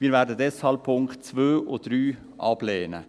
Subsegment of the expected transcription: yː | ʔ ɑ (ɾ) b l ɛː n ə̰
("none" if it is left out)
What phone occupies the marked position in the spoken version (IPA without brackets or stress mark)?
none